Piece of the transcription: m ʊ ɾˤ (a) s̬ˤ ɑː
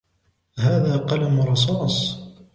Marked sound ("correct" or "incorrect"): incorrect